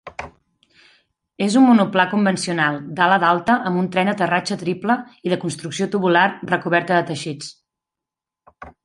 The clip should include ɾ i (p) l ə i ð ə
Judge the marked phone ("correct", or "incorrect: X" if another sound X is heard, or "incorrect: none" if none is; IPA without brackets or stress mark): correct